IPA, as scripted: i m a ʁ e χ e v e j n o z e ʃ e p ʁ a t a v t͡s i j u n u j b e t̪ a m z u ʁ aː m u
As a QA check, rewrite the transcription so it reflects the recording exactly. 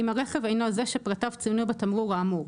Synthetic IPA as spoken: i m a ʁ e χ e v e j n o z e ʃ e p ʁ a t a v t͡s i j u n u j b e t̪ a m ʁ u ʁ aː m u